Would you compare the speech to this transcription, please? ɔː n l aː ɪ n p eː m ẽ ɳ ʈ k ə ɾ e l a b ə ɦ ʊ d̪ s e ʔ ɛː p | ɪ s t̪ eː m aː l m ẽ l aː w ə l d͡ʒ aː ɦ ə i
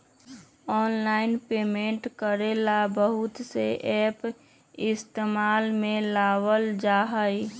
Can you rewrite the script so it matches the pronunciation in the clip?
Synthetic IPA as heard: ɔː n l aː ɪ n p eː m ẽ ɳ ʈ k ə ɾ e l a b ə ɦ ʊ t̪ s e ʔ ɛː p | ɪ s t̪ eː m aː l m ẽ l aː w ə l d͡ʒ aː ɦ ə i